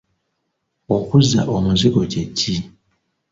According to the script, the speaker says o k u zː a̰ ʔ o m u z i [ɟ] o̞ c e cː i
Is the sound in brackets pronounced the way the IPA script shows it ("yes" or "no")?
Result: no